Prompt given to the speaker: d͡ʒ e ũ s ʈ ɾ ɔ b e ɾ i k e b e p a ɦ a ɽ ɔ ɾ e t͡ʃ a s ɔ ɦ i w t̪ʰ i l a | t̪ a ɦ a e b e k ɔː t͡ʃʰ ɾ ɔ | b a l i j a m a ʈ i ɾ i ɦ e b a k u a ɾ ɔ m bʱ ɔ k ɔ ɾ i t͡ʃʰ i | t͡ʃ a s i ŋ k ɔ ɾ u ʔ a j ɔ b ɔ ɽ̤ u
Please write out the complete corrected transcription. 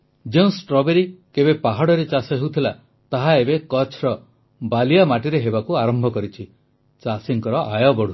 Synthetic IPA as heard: d͡ʒ e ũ s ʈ ɾ ɔ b e ɾ i k e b e p a ɦ a ɽ ɔ ɾ e t͡ʃ a s ɔ ɦ e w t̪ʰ i l a | t̪ a ɦ a e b e k ɔ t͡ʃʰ ɾ ɔ | b a l i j a m a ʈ i ɾ e ɦ e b a k u a ɾ ɔ m bʱ ɔ k ɔ ɾ i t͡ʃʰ i | t͡ʃ a s i ŋ k ɔ ɾ ɔ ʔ a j ɔ b ɔ ɽ̤ u